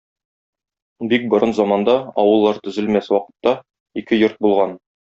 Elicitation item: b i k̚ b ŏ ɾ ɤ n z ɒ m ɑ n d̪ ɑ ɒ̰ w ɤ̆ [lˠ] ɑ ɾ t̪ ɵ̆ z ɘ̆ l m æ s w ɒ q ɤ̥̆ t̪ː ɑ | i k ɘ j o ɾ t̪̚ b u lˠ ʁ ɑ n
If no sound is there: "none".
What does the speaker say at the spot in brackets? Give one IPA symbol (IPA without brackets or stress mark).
lˠː